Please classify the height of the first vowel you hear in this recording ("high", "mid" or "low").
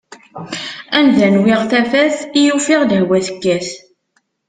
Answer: low